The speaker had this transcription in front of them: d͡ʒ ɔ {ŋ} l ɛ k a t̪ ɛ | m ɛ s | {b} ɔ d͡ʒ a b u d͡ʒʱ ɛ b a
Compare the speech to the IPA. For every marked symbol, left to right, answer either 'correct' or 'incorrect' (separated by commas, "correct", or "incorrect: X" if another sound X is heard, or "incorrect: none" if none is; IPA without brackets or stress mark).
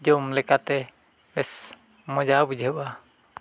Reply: incorrect: m, incorrect: m